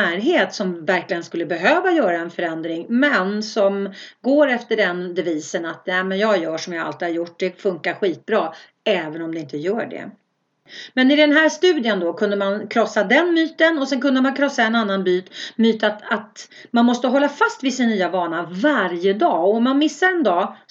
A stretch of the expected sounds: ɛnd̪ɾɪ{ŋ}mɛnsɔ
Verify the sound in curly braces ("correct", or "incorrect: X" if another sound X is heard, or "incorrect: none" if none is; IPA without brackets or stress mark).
correct